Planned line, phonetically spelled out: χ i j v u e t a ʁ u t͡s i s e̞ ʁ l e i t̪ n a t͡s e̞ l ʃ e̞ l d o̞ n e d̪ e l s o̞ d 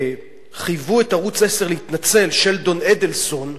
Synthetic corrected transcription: χ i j v u e t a ʁ u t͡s e s e̞ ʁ l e i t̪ n a t͡s e̞ l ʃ e̞ l d o̞ n e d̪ e l s o̞ n